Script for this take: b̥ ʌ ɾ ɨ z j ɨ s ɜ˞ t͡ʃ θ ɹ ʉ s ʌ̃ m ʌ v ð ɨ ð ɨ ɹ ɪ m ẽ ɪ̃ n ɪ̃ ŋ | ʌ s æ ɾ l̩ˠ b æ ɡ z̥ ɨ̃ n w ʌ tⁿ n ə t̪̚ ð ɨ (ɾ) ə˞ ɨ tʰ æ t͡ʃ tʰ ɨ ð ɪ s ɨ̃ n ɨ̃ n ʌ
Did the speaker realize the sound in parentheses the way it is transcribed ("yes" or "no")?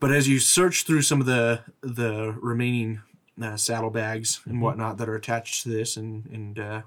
yes